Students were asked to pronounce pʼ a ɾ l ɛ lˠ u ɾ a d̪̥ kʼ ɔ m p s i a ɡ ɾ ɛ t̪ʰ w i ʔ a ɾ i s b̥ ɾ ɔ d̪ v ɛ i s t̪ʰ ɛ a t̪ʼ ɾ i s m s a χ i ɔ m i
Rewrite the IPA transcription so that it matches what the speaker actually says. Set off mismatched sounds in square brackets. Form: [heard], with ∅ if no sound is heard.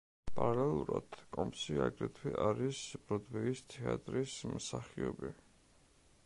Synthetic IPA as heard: pʼ a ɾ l ɛ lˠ u ɾ a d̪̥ kʼ ɔ m p s i a ɡ ɾ ɛ t̪ʰ w i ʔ a ɾ i s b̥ ɾ ɔ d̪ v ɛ i s t̪ʰ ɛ a t̪ʼ ɾ i s m s a χ i ɔ [b] i